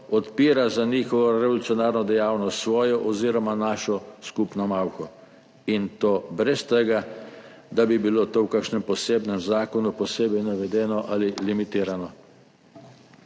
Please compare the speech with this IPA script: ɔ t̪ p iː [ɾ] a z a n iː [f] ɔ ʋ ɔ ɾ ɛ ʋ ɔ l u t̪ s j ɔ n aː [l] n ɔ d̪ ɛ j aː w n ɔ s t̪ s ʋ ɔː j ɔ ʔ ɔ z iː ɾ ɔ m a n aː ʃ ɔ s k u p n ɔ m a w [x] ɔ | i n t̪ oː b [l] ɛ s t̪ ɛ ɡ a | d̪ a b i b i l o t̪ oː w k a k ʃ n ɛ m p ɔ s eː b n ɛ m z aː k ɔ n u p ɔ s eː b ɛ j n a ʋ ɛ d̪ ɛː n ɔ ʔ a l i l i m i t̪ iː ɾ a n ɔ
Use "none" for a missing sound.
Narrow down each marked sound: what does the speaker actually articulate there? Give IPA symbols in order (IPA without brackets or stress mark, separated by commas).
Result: ɾ, x, ɾ, x, ɾ